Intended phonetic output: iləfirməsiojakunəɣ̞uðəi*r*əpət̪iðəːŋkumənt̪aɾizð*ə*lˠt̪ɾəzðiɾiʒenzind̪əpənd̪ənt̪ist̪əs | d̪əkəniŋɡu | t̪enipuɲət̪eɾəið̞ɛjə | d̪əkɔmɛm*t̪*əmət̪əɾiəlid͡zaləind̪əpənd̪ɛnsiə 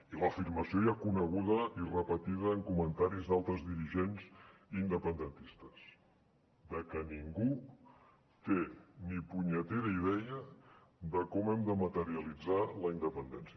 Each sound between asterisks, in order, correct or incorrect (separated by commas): correct, incorrect, incorrect